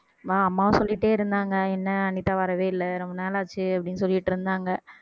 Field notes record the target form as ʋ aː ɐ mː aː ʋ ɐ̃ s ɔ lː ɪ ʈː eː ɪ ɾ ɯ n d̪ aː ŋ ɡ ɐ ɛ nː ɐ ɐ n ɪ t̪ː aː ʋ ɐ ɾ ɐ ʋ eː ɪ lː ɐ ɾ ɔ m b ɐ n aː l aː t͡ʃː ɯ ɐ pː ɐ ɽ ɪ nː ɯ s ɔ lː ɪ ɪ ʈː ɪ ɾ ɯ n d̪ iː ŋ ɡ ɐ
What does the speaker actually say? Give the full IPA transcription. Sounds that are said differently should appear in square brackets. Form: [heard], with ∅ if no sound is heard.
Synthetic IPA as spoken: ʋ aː ɐ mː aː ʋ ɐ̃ s ɔ lː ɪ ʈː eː ɪ ɾ ɯ n d̪ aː ŋ ɡ ɐ ɛ nː ɐ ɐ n ɪ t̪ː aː ʋ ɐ ɾ ɐ ʋ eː ɪ lː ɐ ɾ ɔ m b ɐ n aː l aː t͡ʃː ɯ ɐ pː ɐ ɽ ɪ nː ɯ s ɔ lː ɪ ɪ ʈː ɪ ɾ ɯ n d̪ [aː] ŋ ɡ ɐ